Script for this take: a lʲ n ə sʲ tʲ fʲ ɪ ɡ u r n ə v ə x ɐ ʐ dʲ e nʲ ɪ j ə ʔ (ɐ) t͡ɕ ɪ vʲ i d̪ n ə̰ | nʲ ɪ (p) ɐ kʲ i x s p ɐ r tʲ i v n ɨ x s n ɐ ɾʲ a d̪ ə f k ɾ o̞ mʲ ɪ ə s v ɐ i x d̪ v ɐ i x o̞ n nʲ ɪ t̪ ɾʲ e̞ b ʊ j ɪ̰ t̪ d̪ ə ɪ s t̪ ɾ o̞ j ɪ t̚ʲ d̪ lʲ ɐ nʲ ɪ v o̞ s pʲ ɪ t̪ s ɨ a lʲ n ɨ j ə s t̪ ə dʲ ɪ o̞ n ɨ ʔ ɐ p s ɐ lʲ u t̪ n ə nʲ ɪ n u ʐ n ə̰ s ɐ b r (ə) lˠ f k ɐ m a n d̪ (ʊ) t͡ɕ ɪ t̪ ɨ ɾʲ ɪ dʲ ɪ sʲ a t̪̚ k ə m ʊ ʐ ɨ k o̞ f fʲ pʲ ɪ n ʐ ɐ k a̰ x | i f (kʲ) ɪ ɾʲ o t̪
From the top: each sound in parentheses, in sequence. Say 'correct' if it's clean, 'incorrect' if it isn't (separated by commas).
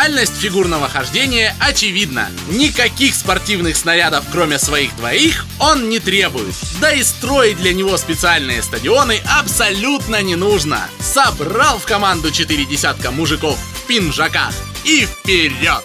correct, incorrect, incorrect, correct, incorrect